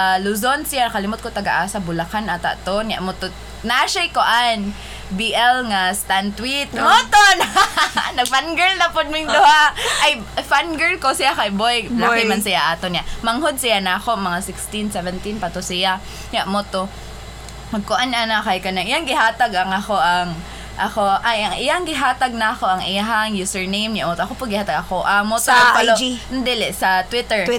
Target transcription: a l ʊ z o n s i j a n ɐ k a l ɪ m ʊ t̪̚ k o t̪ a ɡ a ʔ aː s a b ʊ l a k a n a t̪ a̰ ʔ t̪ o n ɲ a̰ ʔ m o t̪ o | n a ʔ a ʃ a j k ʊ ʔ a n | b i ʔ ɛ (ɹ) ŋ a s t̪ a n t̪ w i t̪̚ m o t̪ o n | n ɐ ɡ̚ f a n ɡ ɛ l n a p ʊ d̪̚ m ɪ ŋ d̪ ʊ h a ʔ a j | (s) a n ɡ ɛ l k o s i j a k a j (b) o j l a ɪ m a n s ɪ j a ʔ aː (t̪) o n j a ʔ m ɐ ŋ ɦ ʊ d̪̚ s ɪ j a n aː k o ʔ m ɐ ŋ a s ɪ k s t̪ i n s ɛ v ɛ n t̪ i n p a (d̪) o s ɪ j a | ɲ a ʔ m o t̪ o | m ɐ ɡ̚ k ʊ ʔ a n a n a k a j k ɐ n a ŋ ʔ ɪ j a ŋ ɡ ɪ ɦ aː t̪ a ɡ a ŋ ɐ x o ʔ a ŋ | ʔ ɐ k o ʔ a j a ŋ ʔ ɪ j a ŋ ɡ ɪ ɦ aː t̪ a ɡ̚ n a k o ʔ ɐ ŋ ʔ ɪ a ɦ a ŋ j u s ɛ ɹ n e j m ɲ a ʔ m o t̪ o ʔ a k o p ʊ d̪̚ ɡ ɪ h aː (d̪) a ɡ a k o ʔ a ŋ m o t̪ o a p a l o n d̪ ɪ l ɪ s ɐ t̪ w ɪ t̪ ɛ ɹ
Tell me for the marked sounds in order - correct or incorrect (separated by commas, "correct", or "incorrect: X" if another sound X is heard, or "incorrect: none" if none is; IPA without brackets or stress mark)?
incorrect: l, incorrect: f, correct, correct, incorrect: t̪, incorrect: t̪